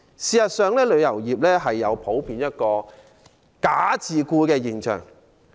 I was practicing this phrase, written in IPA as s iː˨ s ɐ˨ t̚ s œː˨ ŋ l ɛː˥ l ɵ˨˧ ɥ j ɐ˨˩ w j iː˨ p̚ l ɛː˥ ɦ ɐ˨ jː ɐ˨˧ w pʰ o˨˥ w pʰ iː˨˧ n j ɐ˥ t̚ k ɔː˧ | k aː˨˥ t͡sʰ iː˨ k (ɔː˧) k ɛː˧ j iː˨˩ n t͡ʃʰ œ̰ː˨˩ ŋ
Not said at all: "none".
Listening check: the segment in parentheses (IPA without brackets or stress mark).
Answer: uː˧